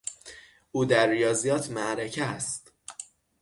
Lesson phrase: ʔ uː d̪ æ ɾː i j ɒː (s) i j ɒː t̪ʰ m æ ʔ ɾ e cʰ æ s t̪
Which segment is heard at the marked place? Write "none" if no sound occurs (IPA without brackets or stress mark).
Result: z